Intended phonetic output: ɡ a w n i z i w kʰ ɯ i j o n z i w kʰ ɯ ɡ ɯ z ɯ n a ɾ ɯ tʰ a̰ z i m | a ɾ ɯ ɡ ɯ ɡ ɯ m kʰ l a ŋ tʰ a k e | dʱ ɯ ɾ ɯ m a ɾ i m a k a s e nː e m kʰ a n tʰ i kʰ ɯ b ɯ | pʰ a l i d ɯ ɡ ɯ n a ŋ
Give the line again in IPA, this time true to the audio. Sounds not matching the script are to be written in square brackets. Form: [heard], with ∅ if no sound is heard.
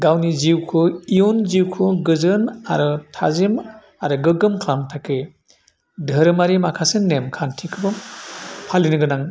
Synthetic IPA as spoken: ɡ a w n i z i w kʰ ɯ i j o n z i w kʰ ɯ ɡ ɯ z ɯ n a ɾ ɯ tʰ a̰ z i m | a ɾ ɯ ɡ ɯ ɡ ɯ m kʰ l a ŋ tʰ a k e | dʱ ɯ ɾ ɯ m a ɾ i m a [kʰ] a s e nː e m kʰ a n tʰ i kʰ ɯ b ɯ | pʰ a l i [n] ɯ ɡ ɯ n a ŋ